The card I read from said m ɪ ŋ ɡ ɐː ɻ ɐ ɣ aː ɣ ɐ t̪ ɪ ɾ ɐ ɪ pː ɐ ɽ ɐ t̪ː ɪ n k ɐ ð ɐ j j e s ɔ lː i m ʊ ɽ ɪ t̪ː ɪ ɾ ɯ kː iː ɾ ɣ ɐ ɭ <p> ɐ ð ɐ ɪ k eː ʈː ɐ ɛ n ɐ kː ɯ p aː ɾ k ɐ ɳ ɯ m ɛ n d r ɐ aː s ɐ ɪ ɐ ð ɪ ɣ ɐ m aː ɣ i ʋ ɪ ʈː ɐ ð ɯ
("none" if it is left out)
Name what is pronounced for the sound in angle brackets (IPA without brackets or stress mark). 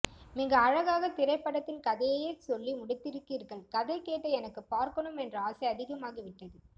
k